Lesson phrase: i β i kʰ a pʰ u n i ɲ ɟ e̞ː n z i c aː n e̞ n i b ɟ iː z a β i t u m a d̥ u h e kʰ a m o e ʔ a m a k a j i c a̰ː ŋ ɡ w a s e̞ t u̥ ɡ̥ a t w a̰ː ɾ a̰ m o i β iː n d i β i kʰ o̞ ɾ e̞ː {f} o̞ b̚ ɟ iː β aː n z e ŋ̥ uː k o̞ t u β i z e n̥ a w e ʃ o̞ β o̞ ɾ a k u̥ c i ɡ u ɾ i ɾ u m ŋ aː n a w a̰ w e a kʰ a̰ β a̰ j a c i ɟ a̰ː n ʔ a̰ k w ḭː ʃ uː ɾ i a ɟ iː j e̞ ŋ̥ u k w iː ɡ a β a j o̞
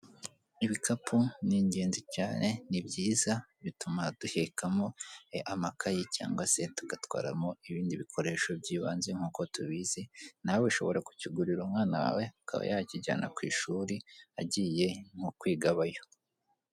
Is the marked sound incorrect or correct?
incorrect